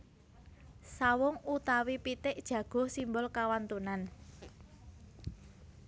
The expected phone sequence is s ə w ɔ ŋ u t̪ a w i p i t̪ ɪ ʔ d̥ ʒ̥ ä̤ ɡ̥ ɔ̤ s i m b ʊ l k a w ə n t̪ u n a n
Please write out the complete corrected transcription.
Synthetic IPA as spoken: s a w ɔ ŋ u t̪ a w i p i t̪ ɪ ʔ d̥ ʒ̥ ä̤ ɡ̥ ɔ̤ s i m b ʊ l k a w a n t̪ u n a n